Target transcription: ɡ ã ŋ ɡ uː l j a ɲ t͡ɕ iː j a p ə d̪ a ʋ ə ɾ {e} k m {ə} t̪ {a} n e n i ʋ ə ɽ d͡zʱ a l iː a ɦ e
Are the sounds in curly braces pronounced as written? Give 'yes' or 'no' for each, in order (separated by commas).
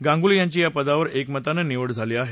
yes, yes, yes